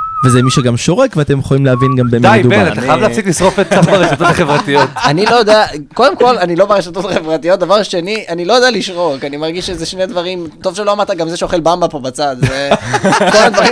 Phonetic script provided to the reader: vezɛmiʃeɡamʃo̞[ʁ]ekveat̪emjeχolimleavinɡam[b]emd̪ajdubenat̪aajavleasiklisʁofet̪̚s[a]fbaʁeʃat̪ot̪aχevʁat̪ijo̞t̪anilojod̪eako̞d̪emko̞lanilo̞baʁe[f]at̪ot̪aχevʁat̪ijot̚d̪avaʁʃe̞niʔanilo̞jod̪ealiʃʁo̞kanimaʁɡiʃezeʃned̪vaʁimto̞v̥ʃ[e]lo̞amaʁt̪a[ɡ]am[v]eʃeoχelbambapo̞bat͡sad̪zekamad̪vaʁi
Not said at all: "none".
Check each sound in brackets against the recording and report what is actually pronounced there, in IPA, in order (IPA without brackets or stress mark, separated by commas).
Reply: ʁ, b, a, ʃ, e, ɡ, z